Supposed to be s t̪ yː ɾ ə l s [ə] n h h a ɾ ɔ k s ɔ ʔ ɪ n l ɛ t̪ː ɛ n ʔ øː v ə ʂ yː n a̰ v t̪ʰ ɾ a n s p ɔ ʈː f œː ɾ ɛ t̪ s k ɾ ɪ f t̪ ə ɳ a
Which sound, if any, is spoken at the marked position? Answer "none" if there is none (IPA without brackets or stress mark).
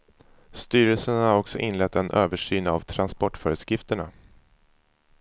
ə